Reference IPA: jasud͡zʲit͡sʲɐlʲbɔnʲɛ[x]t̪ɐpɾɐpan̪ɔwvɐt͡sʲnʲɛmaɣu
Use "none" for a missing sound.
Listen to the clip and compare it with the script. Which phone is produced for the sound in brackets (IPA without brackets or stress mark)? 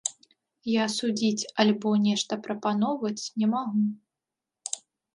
ʂ